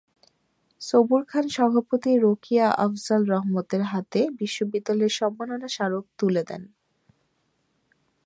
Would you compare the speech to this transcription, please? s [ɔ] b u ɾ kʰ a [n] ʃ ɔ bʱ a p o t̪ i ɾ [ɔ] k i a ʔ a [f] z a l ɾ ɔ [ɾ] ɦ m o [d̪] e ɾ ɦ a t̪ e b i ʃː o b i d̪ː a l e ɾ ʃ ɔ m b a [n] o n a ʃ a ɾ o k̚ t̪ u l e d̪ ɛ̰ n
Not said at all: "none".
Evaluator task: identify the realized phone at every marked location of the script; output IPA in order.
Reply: o, n, o, f, none, t̪, n

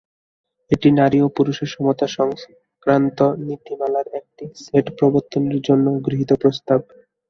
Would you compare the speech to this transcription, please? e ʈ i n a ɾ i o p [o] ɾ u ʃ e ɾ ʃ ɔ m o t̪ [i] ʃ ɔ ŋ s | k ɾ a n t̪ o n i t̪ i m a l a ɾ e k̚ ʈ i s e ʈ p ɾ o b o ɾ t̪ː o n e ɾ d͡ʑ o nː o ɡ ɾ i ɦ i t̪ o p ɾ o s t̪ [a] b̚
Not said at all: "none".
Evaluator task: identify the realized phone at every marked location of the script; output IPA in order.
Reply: u, a, a

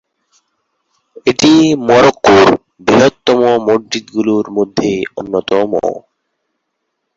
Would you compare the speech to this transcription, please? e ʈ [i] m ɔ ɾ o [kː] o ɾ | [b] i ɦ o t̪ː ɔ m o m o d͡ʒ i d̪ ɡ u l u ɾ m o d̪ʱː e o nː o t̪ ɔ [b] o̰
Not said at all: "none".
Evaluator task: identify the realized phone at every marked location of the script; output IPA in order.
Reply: i, kː, b, m

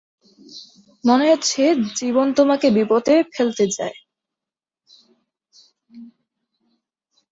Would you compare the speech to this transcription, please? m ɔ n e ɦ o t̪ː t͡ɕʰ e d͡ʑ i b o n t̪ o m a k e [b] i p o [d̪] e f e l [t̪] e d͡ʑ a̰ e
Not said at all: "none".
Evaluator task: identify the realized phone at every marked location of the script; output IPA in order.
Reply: b, t̪, t̪

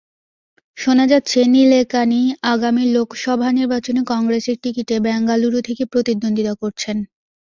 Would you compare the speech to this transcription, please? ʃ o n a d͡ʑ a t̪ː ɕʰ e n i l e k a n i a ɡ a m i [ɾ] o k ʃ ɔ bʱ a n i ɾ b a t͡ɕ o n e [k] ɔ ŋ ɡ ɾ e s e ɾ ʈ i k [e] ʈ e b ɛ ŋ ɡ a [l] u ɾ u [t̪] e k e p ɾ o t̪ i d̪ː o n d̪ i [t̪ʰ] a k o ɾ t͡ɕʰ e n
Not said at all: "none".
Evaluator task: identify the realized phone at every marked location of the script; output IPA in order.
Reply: l, k, i, l, t̪ʰ, t̪

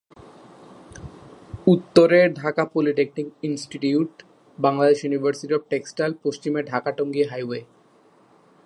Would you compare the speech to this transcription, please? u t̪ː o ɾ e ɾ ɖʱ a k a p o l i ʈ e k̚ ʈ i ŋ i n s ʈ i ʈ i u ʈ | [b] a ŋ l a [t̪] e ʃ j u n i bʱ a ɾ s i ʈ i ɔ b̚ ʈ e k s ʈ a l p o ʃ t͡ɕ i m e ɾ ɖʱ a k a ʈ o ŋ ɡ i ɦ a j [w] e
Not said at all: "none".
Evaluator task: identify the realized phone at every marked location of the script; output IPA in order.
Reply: b, d̪, w

